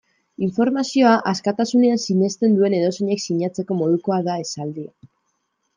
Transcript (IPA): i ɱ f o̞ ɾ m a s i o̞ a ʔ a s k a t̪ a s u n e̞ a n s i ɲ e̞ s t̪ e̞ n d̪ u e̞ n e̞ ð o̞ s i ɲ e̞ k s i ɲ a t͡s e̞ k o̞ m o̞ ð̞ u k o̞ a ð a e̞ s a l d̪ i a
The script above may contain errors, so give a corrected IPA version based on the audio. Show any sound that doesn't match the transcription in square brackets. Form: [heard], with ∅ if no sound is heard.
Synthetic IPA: i ɱ f o̞ ɾ m a s i o̞ a ʔ a s k a t̪ a s u n e̞ a n s i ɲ e̞ s t̪ e̞ n d̪ u e̞ n e̞ ð o̞ s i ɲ e̞ k s i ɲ a t͡s e̞ k o̞ m o̞ ð̞ u k o̞ a ð a e̞ s a l d̪ i a